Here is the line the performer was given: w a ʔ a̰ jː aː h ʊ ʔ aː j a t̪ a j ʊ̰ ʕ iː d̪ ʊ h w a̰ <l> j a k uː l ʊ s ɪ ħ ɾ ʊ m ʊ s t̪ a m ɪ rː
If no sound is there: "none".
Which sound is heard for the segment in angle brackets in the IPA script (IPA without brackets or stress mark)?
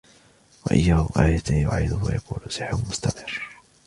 none